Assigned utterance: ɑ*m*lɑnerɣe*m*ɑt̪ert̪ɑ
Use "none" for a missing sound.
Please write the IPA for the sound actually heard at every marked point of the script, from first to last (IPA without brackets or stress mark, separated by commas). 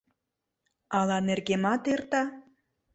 none, m